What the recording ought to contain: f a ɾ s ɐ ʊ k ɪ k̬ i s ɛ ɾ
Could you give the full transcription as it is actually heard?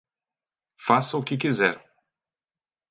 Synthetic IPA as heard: f a s ɐ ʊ k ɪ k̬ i z ɛ ɾ